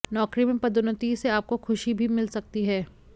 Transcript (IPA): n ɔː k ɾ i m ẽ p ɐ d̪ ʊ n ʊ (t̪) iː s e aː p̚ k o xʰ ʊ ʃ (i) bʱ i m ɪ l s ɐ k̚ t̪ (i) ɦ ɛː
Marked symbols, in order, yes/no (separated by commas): yes, yes, yes